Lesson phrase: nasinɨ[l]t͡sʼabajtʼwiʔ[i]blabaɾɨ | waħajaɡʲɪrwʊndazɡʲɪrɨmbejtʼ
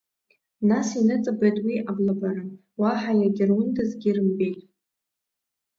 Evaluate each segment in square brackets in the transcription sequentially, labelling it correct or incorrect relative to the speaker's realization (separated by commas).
incorrect, incorrect